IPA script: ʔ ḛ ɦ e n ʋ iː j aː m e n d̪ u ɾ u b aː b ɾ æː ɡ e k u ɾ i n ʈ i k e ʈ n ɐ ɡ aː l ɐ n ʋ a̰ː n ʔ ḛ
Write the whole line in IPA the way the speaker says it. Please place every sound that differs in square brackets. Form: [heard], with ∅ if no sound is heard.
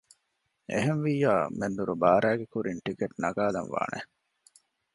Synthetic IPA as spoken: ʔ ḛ ɦ e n ʋ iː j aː m e n d̪ u ɾ u b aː [∅] ɾ æː ɡ e k u ɾ i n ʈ i k e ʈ n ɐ ɡ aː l ɐ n ʋ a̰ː n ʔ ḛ